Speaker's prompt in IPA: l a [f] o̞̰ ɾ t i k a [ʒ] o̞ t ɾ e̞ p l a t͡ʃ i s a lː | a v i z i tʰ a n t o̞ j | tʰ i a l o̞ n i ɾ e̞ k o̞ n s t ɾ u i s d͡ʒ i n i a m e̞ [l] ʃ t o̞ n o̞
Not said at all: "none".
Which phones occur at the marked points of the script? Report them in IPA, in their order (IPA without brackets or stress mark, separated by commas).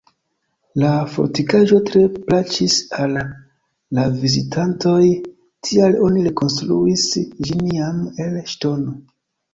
f, ʒ, l